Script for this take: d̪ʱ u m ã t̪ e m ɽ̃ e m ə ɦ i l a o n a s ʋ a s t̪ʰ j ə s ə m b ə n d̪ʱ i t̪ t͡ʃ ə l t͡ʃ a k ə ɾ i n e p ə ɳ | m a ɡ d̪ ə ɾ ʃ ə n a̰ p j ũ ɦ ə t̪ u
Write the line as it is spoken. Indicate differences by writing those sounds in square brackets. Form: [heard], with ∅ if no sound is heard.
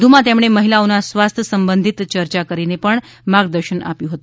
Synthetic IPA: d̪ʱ u m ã t̪ e m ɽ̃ e m ə ɦ i l a o n a s ʋ a s t̪ʰ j ə s ə m b ə n d̪ʱ i t̪ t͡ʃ ə [ɾ] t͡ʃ a k ə ɾ i n e p ə ɳ | m a ɡ d̪ ə ɾ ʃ ə n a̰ p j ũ ɦ ə t̪ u